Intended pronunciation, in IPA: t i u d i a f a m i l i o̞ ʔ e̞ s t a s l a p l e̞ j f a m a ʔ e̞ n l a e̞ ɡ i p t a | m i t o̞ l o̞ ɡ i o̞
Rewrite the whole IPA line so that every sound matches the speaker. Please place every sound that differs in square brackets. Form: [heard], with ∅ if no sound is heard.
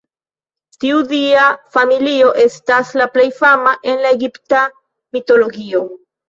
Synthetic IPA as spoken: t i u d i a f a m i l i o̞ ʔ e̞ s t a s l a p l e̞ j f a m a ʔ e̞ n l a e̞ ɡ i p t a | m i t o̞ l o̞ ɡ i o̞